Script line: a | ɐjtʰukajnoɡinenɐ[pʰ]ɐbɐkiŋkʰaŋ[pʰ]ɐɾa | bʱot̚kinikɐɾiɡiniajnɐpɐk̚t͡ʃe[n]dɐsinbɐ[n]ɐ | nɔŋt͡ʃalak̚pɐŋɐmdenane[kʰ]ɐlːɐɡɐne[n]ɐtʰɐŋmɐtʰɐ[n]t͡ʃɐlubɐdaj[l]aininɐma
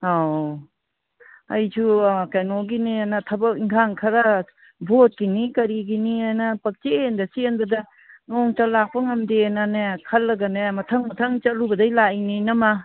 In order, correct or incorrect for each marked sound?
incorrect: tʰ, incorrect: kʰ, correct, incorrect: d, correct, incorrect: m, incorrect: ŋ, correct

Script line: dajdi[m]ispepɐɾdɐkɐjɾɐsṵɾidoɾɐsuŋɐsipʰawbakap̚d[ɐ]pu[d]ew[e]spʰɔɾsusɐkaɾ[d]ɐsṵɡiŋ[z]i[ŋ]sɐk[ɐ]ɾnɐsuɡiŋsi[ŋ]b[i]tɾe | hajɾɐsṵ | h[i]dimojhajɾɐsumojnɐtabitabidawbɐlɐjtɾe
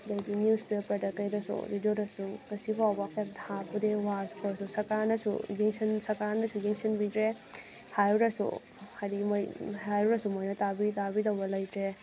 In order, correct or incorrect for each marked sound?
incorrect: n, incorrect: a, correct, incorrect: a, incorrect: n, incorrect: s, incorrect: n, incorrect: a, incorrect: n, correct, incorrect: a

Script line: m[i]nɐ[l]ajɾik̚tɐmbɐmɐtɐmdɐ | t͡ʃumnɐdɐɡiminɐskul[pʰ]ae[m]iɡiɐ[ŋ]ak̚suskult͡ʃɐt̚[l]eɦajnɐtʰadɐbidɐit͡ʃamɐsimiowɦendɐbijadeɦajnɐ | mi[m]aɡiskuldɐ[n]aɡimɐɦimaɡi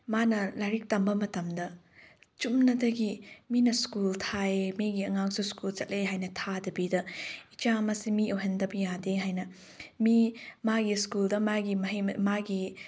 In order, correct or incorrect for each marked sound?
incorrect: a, correct, incorrect: tʰ, correct, correct, correct, correct, incorrect: m

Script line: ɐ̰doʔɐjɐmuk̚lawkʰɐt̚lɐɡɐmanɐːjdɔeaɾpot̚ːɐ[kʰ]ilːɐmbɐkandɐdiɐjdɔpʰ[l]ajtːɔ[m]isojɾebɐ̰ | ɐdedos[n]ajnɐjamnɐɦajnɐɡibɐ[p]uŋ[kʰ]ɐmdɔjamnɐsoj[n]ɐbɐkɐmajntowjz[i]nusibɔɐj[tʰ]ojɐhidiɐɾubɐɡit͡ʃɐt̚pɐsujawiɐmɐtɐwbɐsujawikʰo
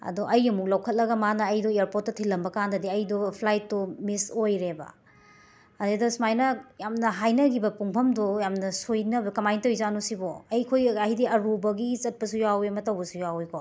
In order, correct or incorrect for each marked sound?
incorrect: tʰ, correct, correct, incorrect: m, correct, incorrect: pʰ, correct, incorrect: a, incorrect: kʰ

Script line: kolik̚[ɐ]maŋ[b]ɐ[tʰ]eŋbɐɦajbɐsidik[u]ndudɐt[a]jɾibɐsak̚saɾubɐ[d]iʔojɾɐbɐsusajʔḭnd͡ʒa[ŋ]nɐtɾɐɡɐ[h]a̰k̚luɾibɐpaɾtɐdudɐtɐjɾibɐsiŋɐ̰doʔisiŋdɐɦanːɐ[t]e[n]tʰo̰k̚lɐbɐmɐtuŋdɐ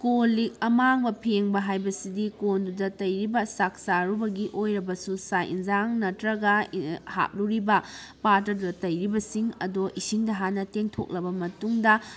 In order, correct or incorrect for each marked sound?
correct, correct, incorrect: pʰ, incorrect: o, incorrect: ɐ, incorrect: ɡ, correct, correct, correct, incorrect: ŋ

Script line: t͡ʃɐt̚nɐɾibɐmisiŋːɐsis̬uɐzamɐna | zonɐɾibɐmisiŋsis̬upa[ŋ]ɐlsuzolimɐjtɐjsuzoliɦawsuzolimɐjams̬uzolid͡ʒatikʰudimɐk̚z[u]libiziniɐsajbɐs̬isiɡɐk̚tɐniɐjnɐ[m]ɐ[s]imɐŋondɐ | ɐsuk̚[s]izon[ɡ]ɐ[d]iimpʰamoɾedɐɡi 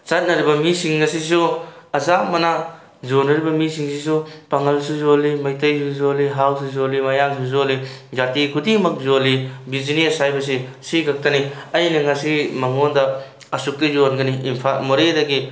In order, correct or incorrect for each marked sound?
correct, incorrect: o, incorrect: ŋ, correct, incorrect: t, correct, incorrect: n

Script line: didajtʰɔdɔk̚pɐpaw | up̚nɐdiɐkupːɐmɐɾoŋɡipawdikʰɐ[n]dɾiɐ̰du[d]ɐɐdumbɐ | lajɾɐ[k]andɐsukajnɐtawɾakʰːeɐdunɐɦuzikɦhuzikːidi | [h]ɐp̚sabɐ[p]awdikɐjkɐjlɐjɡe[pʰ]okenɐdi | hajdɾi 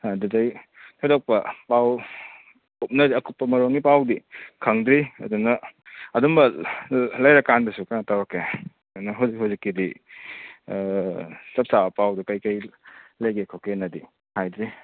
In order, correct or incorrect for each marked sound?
incorrect: ŋ, incorrect: n, correct, incorrect: s, correct, incorrect: kʰ

